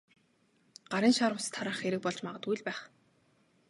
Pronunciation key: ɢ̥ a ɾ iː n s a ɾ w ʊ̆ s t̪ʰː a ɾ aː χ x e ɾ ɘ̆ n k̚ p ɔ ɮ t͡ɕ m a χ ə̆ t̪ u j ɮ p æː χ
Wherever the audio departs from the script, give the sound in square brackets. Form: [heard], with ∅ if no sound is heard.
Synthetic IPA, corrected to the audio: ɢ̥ a ɾ iː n [ʃ] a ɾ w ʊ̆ s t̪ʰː a ɾ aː χ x e ɾ ɘ̆ [∅] k̚ p ɔ ɮ t͡ɕ m a [ʁ] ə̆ t̪ u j ɮ p æː χ